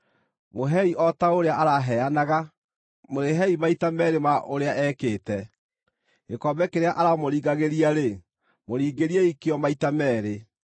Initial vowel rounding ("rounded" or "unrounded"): rounded